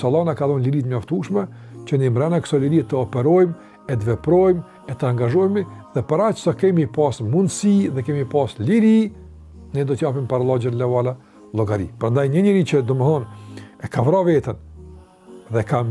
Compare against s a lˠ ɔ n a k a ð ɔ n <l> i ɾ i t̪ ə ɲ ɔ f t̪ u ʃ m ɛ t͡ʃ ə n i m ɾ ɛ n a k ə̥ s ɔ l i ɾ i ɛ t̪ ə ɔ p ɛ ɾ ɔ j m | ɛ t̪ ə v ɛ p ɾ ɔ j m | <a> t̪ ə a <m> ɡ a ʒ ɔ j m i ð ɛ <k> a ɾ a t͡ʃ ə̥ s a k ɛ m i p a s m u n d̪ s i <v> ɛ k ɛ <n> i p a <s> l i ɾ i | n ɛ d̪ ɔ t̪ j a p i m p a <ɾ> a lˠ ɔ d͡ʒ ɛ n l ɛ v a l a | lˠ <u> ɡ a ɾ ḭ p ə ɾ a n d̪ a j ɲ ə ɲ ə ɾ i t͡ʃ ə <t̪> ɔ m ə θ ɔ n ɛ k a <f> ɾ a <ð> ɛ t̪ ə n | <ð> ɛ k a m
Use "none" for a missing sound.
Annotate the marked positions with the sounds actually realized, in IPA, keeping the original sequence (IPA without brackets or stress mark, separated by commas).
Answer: l, ɛ, ŋ, p, ð, m, s, ɾ, ɔ, d̪, v, v, ð